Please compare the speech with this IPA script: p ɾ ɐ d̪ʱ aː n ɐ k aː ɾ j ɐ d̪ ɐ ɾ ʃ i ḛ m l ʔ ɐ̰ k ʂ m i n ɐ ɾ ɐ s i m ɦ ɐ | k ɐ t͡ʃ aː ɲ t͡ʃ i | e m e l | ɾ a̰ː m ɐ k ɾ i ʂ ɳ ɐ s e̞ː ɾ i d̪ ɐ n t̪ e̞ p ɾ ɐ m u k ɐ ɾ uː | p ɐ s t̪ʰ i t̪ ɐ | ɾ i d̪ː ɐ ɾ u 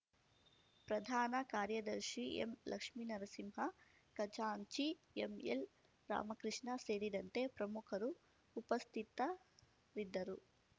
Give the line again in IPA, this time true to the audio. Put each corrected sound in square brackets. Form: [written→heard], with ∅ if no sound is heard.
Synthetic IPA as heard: p ɾ ɐ d̪ʱ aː n ɐ k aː ɾ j ɐ d̪ ɐ ɾ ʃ i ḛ m l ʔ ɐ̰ k ʂ m i n ɐ ɾ ɐ s i m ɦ ɐ | k ɐ t͡ʃ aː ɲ t͡ʃ i | e m e l | ɾ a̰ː m ɐ k ɾ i ʂ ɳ ɐ s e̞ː ɾ i d̪ ɐ n t̪ e̞ p ɾ ɐ m u [k→kʰ] ɐ ɾ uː | p ɐ s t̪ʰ i t̪ ɐ | ɾ i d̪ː ɐ ɾ u